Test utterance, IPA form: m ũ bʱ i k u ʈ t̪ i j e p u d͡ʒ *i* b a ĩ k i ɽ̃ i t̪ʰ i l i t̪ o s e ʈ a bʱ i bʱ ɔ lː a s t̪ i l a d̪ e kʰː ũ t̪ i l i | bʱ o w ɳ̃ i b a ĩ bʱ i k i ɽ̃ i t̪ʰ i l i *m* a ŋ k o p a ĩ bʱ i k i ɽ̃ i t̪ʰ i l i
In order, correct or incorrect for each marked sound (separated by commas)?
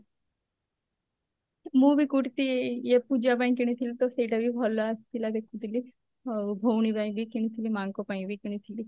incorrect, correct